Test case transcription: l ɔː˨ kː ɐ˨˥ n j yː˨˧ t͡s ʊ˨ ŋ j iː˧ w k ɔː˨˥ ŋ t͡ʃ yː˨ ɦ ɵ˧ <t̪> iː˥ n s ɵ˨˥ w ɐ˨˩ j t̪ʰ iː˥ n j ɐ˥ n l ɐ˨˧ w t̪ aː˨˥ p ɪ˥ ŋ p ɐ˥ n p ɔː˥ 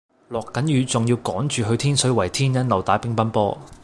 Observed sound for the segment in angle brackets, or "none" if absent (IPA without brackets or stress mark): t̪ʰ